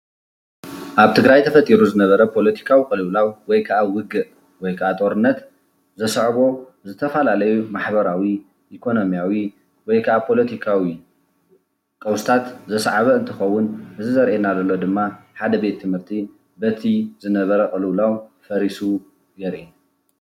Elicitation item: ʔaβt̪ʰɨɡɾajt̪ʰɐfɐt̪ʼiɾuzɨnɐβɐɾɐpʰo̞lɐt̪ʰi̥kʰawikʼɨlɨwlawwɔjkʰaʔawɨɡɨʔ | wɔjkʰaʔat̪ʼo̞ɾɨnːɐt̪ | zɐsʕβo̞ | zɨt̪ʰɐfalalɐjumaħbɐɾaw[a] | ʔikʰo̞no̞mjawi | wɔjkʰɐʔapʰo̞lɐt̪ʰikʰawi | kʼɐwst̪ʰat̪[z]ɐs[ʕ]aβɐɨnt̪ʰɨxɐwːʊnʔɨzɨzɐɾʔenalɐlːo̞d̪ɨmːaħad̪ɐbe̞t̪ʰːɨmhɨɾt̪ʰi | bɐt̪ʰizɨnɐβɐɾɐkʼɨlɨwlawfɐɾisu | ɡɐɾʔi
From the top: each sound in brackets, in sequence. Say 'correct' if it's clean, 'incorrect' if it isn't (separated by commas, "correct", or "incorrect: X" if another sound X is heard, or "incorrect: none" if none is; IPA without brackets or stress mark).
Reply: incorrect: i, correct, correct